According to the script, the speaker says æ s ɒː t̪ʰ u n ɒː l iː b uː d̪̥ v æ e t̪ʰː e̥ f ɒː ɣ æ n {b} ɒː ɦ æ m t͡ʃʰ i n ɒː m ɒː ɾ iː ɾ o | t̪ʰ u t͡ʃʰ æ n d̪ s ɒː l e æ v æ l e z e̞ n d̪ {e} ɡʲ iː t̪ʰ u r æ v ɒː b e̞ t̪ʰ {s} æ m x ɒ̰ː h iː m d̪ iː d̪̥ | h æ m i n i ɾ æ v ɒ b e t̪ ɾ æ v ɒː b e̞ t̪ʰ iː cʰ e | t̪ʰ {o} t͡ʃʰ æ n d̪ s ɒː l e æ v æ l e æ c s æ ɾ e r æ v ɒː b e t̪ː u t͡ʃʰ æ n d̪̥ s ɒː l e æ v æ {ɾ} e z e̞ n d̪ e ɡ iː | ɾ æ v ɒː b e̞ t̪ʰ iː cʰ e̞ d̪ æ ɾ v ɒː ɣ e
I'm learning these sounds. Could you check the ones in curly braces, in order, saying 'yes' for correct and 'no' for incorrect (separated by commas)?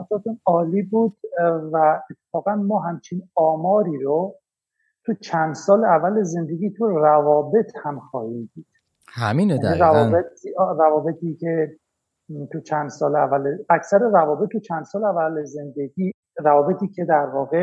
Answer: no, yes, no, no, no